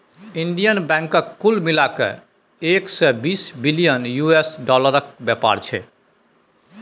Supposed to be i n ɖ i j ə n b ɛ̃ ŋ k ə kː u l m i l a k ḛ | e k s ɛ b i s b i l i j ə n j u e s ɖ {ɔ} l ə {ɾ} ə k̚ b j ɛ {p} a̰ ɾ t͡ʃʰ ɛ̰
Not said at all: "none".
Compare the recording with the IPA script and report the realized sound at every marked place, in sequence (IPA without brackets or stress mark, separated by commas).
ɔ, ɾ, p